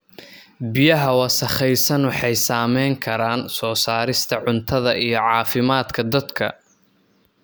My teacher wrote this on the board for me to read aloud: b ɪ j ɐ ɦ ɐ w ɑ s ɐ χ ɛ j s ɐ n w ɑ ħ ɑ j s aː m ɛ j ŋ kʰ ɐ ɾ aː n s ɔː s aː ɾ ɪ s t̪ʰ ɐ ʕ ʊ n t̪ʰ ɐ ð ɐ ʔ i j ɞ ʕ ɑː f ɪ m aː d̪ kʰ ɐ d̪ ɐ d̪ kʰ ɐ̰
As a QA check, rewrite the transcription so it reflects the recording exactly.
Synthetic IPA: b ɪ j ɐ ɦ ɐ w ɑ s ɐ χ ɛ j s ɐ n w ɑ ħ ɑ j s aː m ɛ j ŋ kʰ ɐ ɾ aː n s ɔː s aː ɾ ɪ s t̪ʰ ɐ ʕ ʊ n t̪ʰ ɐ ð ɐ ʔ i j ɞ ʕ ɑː f ɪ m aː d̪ kʰ ɐ d̪ ɐ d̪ kʰ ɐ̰